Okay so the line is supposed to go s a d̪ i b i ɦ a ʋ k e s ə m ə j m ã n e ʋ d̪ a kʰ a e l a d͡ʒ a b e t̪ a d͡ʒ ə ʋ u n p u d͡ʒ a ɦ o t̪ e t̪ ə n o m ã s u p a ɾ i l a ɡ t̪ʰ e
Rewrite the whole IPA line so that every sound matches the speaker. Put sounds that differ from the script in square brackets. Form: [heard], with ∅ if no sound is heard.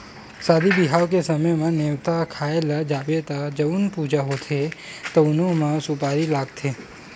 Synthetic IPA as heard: s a d̪ i b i ɦ a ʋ k e s ə m ə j m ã n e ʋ [t̪] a kʰ a e l a d͡ʒ a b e t̪ a d͡ʒ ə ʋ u n p u d͡ʒ a ɦ o [t̪ʰ] e t̪ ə n o m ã s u p a ɾ i l a ɡ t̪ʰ e